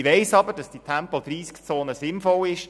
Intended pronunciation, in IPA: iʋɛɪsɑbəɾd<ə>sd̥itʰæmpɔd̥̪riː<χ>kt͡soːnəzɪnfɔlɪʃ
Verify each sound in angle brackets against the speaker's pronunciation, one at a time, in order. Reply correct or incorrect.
incorrect: ɑ, incorrect: s

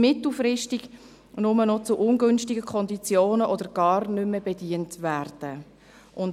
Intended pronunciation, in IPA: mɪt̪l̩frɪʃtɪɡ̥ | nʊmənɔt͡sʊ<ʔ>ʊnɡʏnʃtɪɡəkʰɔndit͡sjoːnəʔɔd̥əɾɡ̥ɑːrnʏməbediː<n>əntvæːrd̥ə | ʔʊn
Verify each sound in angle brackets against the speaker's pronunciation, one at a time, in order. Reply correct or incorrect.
correct, incorrect: none

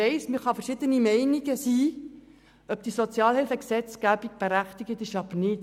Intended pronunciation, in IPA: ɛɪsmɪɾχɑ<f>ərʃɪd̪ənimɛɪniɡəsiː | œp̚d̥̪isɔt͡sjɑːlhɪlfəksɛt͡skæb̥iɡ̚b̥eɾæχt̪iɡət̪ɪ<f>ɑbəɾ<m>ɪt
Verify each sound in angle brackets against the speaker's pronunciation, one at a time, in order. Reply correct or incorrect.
correct, incorrect: ʃ, incorrect: n

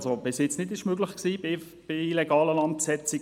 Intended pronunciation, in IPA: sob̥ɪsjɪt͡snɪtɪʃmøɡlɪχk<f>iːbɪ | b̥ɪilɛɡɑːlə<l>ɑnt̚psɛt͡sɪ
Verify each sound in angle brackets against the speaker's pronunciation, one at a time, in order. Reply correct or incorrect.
incorrect: s, correct

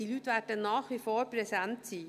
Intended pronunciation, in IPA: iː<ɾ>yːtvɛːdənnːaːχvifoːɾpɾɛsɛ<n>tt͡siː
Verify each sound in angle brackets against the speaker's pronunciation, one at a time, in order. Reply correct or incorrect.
incorrect: l, correct

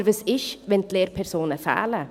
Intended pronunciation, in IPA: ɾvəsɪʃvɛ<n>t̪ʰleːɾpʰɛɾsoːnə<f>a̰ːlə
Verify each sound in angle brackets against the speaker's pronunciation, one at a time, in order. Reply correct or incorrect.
correct, correct

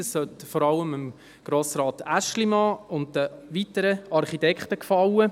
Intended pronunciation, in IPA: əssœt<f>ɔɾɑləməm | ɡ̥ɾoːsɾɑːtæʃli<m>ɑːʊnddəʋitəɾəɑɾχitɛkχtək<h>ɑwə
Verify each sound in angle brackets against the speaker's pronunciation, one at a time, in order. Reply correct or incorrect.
correct, correct, incorrect: f

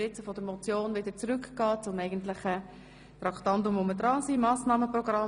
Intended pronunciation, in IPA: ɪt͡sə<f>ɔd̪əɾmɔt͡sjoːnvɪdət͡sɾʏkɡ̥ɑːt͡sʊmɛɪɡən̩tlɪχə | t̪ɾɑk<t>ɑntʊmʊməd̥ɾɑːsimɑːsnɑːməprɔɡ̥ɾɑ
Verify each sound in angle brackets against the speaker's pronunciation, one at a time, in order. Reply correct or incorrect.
correct, correct

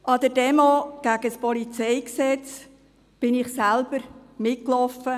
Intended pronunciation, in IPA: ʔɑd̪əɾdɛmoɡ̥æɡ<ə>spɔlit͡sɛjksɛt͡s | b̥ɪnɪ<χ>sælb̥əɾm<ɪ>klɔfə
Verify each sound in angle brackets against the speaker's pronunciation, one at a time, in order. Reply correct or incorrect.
correct, correct, correct

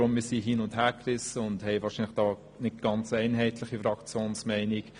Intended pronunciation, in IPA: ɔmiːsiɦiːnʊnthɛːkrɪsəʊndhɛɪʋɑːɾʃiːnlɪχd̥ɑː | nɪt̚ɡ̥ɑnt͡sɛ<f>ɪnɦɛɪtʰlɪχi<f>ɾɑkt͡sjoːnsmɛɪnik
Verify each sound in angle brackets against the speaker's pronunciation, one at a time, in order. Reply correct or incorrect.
incorrect: none, correct

